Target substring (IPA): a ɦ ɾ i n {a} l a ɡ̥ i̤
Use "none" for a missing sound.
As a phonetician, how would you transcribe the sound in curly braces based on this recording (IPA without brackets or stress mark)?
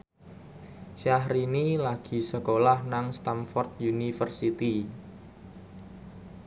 i